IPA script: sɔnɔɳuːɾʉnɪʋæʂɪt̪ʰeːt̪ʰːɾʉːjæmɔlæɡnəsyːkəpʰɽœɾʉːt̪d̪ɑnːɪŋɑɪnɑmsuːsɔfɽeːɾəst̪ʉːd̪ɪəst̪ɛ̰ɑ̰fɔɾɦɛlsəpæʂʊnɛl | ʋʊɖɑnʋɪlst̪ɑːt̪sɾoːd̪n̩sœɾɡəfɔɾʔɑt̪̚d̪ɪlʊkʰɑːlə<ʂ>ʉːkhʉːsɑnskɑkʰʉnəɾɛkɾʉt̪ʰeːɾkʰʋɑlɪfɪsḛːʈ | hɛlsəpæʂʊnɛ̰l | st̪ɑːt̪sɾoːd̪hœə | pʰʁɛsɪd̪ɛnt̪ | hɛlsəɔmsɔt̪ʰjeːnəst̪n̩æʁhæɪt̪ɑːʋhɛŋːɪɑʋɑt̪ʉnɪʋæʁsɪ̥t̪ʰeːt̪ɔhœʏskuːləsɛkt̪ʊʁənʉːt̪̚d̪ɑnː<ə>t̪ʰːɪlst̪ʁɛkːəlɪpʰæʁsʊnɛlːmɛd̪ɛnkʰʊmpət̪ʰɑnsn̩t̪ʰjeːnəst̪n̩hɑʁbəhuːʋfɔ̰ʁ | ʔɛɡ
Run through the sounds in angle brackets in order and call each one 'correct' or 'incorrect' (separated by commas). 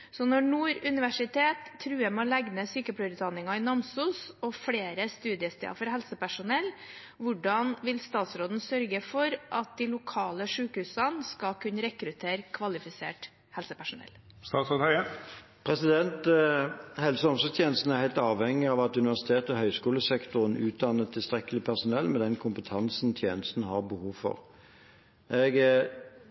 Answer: correct, correct